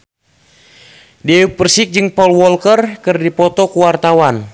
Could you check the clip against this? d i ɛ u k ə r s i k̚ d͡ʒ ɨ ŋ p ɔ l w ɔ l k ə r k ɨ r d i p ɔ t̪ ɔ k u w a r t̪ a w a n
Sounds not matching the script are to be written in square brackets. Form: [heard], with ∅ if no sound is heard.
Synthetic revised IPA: d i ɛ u [p] ə r s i k̚ d͡ʒ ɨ ŋ p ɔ l w ɔ l k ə r k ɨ r d i p ɔ t̪ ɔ k u w a r t̪ a w a n